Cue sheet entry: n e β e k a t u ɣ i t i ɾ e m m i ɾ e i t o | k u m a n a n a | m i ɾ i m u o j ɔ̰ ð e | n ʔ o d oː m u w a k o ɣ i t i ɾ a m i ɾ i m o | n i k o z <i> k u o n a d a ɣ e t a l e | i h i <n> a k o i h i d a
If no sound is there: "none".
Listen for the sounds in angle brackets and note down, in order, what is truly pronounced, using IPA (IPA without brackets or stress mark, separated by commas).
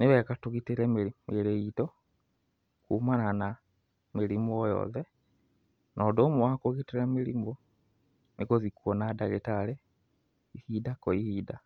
i, d